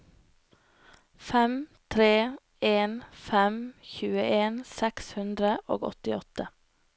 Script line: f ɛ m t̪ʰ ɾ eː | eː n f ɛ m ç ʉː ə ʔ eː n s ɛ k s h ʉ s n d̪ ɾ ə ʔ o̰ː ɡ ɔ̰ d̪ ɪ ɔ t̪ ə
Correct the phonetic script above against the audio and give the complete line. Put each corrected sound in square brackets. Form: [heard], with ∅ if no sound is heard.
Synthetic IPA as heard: f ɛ m t̪ʰ ɾ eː | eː n f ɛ m ç ʉː ə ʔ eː n s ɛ k s h ʉ [∅] n d̪ ɾ ə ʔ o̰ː ɡ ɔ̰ [t̪] ɪ ɔ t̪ ə